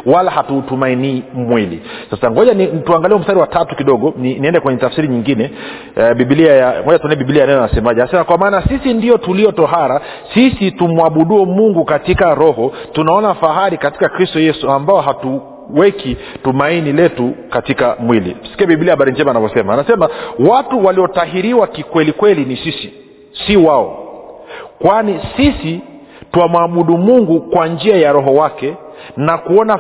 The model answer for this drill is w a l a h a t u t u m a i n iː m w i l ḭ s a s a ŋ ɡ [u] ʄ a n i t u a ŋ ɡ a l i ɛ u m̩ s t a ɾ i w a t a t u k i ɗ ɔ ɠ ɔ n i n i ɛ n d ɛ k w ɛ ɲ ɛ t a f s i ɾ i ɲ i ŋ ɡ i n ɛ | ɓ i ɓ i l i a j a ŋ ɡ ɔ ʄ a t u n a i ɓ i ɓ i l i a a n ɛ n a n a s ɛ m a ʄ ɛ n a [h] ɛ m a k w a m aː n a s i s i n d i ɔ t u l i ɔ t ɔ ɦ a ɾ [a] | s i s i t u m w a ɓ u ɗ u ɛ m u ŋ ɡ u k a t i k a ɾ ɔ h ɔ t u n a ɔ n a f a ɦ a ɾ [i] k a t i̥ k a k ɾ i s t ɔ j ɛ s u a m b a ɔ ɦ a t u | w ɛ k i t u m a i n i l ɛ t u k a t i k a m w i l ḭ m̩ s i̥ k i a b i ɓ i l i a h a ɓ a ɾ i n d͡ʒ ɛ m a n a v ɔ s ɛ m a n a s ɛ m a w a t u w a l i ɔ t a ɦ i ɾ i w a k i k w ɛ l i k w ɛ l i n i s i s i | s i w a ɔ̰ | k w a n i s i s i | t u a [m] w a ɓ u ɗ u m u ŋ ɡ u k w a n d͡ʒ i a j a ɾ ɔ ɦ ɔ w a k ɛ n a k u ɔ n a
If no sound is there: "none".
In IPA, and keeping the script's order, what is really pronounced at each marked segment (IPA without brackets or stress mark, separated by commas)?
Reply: ɔ, s, a, i, m